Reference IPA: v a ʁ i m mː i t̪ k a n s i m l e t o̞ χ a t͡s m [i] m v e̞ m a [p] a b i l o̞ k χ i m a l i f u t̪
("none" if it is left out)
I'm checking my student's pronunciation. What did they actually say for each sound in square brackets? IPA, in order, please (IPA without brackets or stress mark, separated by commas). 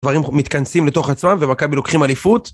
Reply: a, k